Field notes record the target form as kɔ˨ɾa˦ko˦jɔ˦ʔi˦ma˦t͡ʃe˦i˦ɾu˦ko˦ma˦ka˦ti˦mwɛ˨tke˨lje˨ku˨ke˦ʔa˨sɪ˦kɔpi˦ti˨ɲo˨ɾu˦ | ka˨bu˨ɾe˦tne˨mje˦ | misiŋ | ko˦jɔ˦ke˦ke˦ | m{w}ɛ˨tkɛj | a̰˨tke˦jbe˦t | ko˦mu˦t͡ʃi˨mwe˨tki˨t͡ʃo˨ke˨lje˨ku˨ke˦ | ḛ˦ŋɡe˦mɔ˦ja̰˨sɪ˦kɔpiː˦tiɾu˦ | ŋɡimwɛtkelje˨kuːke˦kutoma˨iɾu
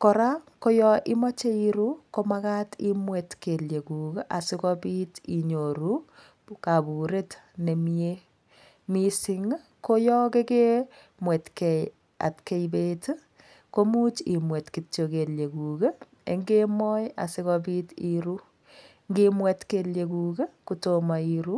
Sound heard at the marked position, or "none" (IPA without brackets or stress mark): w